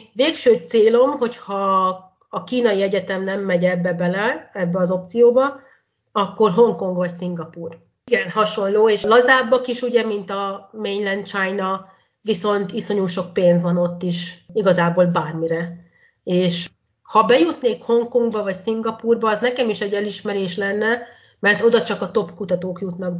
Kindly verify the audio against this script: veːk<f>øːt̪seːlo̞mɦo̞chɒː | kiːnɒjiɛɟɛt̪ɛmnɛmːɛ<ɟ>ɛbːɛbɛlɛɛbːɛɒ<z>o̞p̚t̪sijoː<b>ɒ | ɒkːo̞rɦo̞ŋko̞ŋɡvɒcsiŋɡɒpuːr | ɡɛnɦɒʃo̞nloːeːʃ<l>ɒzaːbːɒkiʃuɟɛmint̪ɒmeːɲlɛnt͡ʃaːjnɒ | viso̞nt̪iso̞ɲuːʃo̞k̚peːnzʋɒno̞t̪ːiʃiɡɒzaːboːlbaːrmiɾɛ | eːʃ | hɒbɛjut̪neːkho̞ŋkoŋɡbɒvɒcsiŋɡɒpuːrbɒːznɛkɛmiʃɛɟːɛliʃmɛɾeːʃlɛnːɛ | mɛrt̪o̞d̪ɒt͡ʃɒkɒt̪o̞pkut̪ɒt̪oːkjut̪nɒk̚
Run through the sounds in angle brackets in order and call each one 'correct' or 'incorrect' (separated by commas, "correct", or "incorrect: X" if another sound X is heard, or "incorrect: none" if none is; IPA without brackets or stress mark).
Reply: incorrect: ʃ, correct, correct, correct, correct